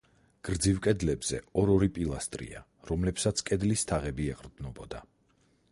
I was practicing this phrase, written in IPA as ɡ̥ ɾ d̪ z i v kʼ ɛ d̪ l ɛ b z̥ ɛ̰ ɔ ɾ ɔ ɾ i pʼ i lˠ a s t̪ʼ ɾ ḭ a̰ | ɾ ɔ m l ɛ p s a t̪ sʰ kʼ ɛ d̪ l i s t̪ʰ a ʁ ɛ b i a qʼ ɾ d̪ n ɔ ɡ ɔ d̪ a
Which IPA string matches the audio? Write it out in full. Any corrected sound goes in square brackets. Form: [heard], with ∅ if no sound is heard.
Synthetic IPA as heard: ɡ̥ ɾ d̪ z i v kʼ ɛ d̪ l ɛ b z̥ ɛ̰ ɔ ɾ ɔ ɾ i pʼ i lˠ a s t̪ʼ ɾ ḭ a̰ | ɾ ɔ m l ɛ p s a t̪ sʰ kʼ ɛ d̪ l i s t̪ʰ a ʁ ɛ b i [ɛ] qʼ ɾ d̪ n ɔ [b] ɔ d̪ a